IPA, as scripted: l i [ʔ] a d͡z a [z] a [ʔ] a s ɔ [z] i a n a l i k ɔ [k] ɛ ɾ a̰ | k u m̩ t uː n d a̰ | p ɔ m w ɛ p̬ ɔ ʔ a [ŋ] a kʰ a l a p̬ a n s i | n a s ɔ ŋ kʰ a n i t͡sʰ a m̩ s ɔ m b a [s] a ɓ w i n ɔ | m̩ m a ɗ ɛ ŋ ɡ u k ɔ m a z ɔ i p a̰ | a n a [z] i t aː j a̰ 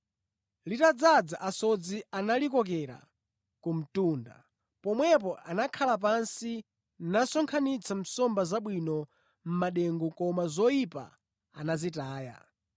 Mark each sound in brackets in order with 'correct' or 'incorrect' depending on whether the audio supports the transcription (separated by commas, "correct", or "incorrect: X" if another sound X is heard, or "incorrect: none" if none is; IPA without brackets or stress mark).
incorrect: t, incorrect: d͡z, correct, incorrect: d͡z, correct, incorrect: n, incorrect: z, correct